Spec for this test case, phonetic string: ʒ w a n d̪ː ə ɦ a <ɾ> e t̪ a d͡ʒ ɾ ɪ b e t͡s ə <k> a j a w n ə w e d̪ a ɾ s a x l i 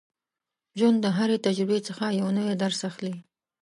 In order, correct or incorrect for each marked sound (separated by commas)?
correct, incorrect